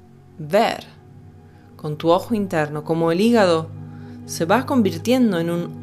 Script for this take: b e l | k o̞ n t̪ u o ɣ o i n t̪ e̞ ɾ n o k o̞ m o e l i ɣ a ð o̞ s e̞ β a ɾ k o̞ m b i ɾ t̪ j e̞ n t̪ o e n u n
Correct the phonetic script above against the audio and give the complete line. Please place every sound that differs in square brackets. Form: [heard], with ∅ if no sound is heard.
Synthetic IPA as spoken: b e [ɾ] | k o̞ n t̪ u o [x] o i n t̪ e̞ ɾ n o k o̞ m o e l i ɣ a ð o̞ s e̞ β a [∅] k o̞ m b i ɾ t̪ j e̞ n [d̪] o e n u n